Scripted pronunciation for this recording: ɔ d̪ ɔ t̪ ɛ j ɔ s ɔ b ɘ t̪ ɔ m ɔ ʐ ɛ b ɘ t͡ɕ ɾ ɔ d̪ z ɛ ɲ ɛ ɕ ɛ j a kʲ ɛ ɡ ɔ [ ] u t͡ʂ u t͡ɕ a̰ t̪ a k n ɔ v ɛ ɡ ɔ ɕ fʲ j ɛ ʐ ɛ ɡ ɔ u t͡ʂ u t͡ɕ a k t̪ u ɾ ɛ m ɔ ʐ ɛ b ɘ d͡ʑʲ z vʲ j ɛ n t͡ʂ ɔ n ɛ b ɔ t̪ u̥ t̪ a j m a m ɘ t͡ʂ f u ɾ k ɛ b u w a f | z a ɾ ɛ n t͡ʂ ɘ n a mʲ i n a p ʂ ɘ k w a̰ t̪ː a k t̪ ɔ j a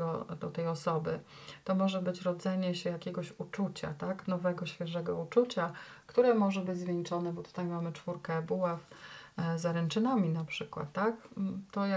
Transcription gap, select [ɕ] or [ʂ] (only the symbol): ɕ